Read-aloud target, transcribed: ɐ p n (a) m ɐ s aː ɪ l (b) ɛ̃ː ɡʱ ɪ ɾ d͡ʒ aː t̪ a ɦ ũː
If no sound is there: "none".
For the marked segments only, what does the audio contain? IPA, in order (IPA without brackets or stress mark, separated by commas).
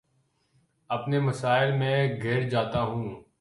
e, m